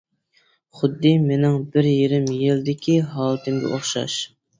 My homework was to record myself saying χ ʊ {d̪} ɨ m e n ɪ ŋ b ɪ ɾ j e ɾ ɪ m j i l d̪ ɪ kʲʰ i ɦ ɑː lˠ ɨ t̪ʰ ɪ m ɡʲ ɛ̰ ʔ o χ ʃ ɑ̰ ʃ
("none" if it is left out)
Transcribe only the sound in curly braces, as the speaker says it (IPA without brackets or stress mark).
d̪ː